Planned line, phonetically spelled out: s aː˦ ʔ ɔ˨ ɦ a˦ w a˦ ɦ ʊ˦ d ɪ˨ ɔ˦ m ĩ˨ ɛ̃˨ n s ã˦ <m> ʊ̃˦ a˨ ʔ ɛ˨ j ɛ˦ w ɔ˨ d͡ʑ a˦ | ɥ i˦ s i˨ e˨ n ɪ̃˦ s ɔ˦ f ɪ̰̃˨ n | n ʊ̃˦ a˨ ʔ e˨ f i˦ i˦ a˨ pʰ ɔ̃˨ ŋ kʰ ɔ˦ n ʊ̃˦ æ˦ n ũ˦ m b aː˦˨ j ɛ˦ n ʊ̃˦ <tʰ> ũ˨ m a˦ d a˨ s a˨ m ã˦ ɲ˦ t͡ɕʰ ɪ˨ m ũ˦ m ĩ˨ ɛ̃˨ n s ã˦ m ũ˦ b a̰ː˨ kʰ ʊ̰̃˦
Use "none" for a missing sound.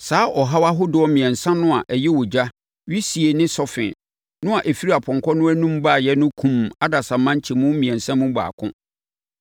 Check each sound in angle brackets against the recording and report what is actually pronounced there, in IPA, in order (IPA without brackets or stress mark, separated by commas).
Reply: n, kʰ